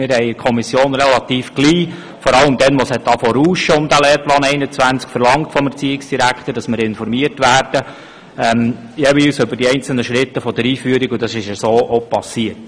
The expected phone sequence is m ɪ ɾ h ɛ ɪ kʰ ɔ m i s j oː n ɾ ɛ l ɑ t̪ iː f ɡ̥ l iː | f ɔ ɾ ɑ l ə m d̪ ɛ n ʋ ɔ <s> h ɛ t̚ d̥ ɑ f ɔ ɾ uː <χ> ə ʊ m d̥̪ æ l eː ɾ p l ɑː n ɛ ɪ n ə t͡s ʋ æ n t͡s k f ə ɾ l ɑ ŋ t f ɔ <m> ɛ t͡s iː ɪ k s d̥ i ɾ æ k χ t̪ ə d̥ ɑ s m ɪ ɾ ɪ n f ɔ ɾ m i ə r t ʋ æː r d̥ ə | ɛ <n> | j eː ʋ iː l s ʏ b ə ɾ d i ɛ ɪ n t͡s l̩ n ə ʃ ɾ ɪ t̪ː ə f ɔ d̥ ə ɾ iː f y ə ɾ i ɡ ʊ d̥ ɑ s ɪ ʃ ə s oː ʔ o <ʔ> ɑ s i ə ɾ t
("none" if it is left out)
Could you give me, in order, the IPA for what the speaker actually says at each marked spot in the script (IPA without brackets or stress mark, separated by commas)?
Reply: s, ʃ, m, m, p